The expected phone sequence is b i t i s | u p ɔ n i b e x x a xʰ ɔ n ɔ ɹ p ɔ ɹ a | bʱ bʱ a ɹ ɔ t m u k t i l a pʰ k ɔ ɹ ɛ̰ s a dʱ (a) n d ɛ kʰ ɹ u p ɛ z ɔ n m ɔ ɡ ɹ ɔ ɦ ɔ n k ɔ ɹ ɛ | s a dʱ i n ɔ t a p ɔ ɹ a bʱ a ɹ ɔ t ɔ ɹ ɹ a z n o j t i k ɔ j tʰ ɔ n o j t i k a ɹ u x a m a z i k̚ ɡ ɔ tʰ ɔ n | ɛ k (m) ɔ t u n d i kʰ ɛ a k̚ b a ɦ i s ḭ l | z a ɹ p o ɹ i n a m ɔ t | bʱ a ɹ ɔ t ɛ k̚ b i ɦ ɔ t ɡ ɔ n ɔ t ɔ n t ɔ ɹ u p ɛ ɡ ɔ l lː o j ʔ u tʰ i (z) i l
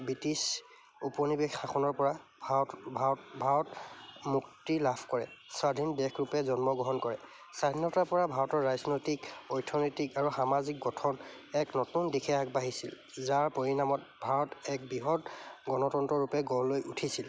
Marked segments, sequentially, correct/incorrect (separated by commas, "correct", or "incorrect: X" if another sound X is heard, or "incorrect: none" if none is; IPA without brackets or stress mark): incorrect: i, incorrect: n, incorrect: s